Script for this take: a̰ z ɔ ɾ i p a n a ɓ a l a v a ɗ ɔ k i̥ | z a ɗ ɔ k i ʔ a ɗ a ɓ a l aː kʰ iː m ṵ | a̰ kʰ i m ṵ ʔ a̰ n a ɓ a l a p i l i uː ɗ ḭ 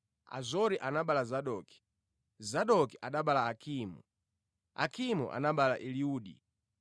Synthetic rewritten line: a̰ z ɔ ɾ i ʔ a n a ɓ a l a z a ɗ ɔ k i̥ | z a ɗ ɔ k i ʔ a ɗ a ɓ a l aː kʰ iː m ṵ | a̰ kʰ i m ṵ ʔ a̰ n a ɓ a l a ʔ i l i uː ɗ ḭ